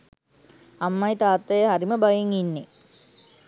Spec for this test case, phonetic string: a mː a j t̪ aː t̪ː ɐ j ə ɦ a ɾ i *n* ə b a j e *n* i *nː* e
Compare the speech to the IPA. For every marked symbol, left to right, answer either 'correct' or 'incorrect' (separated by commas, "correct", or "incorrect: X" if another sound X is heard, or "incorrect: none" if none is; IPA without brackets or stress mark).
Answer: incorrect: m, incorrect: ŋ, correct